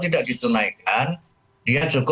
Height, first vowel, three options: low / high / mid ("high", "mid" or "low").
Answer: high